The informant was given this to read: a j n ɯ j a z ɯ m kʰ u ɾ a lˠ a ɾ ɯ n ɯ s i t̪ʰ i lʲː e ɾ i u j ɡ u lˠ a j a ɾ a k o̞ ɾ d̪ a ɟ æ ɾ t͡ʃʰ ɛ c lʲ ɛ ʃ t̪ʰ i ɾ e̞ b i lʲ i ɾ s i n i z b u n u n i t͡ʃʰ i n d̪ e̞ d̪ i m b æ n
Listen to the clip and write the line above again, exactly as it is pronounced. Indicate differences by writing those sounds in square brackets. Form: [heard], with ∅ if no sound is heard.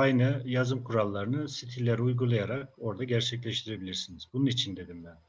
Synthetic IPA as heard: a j n ɯ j a z ɯ m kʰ u ɾ a [lˠː] a ɾ ɯ n ɯ s i t̪ʰ i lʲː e ɾ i u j ɡ u lˠ a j a ɾ a k o̞ ɾ d̪ a ɟ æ ɾ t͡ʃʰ ɛ c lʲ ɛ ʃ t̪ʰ i ɾ e̞ b i lʲ i ɾ s i n i z b u n u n i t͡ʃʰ i n d̪ e̞ d̪ i m b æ n